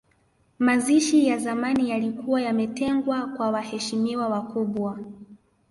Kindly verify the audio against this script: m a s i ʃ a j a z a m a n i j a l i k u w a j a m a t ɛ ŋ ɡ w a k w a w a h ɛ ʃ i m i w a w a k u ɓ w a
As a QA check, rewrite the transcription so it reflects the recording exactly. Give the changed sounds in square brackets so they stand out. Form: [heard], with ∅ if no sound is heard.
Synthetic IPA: m a [z] i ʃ [i] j a z a m a n i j a l i k u w a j a m [ɛ] t ɛ ŋ ɡ w a k w a w a h ɛ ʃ i m i w a w a k u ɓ w a